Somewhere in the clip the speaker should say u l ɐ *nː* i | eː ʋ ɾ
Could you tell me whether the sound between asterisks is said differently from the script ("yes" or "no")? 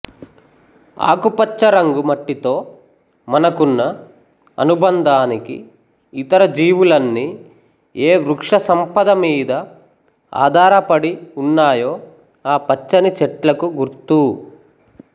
no